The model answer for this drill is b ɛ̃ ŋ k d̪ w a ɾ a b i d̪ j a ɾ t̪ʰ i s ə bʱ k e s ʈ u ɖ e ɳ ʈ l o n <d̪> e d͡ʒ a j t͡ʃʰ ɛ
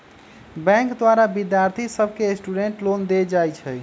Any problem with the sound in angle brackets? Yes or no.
no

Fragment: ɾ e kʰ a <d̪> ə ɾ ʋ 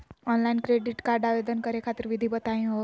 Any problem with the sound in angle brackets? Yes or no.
yes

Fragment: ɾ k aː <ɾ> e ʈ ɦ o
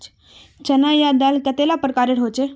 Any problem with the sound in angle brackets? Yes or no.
no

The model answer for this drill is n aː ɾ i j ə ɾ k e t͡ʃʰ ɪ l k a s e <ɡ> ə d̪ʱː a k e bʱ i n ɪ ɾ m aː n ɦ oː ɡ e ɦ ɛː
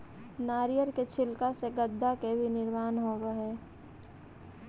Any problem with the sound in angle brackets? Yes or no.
no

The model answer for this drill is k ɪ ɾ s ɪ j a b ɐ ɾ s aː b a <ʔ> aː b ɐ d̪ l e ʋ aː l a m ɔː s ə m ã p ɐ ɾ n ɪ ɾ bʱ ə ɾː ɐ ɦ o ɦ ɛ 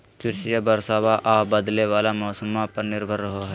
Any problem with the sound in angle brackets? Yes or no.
no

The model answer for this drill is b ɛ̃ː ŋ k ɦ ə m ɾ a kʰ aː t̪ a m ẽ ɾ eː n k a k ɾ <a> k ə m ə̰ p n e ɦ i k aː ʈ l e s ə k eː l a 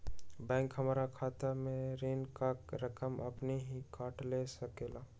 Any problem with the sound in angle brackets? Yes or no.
yes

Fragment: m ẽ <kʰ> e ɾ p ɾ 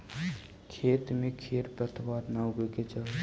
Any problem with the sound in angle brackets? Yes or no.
no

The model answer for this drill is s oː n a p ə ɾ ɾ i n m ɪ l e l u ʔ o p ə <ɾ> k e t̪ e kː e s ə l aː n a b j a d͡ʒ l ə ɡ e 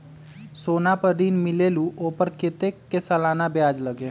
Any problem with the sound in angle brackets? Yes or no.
no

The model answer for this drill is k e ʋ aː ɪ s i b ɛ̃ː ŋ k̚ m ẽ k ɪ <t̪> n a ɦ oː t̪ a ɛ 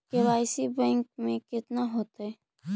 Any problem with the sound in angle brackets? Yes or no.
no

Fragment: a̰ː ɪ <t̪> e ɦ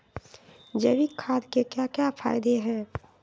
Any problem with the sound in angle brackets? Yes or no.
yes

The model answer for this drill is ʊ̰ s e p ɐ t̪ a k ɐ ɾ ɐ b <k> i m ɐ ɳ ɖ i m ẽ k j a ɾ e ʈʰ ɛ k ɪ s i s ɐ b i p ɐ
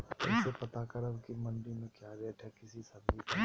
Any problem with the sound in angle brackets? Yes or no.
no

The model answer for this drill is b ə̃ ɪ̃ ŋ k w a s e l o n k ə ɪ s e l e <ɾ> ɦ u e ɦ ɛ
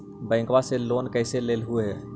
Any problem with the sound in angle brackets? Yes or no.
yes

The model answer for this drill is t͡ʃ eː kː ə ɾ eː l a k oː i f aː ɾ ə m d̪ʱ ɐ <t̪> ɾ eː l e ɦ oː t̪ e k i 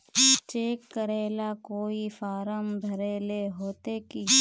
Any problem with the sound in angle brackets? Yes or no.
yes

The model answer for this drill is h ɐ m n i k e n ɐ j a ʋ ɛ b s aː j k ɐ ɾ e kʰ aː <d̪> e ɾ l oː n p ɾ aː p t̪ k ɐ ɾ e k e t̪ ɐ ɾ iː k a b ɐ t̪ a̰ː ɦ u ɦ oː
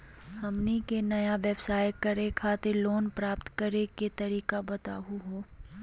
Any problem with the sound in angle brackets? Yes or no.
yes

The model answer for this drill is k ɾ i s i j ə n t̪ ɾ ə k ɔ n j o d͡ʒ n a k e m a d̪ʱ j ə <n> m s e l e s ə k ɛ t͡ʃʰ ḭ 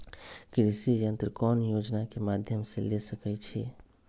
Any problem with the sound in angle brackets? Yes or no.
yes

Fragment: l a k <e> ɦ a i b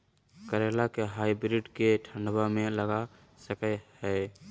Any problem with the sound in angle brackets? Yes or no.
no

